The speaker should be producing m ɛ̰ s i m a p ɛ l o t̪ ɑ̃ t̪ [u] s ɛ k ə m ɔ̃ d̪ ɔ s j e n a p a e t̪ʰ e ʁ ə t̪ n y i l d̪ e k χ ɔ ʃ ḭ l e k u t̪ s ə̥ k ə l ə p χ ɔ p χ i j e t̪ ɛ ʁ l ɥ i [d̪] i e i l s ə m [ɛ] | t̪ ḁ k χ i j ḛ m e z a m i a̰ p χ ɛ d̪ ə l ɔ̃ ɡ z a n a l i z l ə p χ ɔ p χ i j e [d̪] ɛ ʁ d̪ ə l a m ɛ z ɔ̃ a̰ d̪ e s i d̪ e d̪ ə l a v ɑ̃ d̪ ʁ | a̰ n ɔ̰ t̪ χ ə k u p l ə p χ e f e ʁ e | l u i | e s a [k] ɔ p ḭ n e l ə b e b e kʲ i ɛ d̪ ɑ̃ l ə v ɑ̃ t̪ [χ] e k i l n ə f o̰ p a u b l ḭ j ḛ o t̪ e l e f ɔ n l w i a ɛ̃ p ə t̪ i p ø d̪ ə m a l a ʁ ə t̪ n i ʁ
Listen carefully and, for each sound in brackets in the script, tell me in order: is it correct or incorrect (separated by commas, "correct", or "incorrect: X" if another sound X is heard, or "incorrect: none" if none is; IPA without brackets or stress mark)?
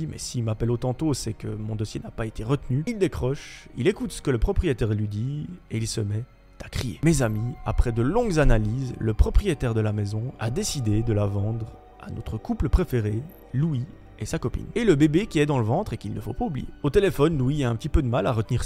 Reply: incorrect: o, correct, correct, incorrect: t̪, correct, correct